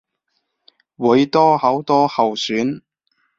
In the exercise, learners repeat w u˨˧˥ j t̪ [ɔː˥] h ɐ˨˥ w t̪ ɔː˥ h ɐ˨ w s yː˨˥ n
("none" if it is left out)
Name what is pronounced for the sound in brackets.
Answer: ɔː˥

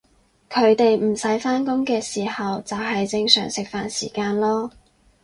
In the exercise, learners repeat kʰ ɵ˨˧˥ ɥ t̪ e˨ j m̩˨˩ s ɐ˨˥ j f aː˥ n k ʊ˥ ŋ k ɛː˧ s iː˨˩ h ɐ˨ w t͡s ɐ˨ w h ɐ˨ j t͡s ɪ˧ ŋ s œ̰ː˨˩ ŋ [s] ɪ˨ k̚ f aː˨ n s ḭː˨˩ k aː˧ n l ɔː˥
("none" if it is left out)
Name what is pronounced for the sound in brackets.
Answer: s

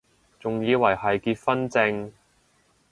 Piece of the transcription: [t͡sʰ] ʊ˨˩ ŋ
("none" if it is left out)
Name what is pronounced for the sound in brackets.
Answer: t͡s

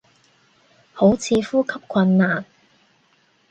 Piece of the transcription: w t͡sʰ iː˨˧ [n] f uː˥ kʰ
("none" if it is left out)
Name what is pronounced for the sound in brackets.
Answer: none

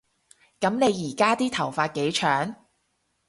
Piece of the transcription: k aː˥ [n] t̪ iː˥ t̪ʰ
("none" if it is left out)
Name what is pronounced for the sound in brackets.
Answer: none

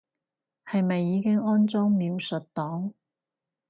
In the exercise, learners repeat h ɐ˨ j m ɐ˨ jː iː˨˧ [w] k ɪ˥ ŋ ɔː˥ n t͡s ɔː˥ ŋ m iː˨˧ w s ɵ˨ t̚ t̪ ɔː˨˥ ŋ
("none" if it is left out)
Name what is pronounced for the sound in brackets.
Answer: none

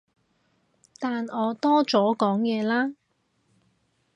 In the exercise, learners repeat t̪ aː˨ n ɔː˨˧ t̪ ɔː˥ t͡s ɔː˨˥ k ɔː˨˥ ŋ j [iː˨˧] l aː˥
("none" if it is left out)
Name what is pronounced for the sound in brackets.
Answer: ɛː˨˧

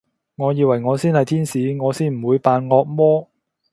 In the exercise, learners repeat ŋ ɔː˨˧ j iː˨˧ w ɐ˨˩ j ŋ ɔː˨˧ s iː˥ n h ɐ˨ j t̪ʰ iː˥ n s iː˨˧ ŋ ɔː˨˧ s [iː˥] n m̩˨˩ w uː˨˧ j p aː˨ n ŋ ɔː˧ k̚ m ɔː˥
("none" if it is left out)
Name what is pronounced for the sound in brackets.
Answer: iː˥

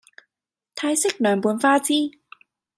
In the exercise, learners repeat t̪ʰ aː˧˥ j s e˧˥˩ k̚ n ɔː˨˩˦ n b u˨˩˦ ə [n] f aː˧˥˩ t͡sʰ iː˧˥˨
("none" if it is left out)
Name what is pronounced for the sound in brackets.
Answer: n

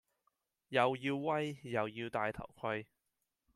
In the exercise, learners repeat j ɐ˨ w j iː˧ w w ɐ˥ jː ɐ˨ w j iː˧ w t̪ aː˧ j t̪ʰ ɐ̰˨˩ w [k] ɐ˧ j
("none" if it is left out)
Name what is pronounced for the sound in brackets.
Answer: kʰ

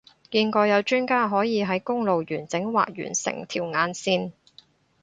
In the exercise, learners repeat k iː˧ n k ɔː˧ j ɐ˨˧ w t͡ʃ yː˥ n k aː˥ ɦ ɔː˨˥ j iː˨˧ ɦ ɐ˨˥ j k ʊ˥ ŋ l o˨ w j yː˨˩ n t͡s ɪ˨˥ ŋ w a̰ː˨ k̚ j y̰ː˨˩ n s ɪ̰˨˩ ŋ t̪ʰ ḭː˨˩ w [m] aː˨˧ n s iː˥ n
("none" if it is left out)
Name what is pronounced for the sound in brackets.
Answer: ŋ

